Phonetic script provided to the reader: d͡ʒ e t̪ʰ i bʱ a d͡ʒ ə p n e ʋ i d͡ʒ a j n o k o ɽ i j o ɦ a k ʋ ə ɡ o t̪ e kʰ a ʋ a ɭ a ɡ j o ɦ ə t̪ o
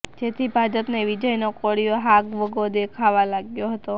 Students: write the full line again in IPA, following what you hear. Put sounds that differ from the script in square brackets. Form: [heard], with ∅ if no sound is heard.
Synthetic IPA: d͡ʒ e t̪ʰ i bʱ a d͡ʒ ə p n e ʋ i d͡ʒ [ə] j n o k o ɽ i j o ɦ a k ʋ ə ɡ o [d̪] e kʰ a ʋ a [l] a ɡ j o ɦ ə t̪ o